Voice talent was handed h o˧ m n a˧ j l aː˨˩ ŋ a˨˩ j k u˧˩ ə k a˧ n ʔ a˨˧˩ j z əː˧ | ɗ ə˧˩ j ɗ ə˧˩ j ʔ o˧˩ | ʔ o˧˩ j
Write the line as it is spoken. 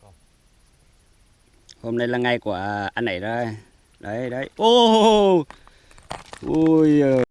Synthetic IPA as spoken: h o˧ m n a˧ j l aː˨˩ ŋ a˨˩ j k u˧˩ ə ʔ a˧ n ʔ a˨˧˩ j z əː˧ | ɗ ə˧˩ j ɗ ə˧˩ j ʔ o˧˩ | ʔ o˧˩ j